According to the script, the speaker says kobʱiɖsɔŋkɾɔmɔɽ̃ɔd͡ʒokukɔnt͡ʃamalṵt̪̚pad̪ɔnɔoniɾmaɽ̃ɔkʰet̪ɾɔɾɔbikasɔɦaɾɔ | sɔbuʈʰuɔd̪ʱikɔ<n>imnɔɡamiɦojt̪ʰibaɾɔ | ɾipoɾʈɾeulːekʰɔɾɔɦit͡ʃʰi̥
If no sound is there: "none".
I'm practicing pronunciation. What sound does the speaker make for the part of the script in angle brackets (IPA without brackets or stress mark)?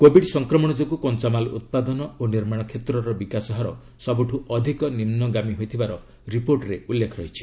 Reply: n